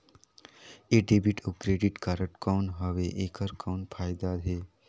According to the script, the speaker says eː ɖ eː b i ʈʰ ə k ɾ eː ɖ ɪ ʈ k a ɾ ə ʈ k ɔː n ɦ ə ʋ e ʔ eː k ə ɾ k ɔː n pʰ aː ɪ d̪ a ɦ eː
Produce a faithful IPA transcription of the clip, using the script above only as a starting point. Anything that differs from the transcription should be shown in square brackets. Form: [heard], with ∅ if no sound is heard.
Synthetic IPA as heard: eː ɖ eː b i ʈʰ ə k ɾ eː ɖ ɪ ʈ k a ɾ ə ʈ k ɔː n ɦ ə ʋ e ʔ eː k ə ɾ k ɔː n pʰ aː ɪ d̪ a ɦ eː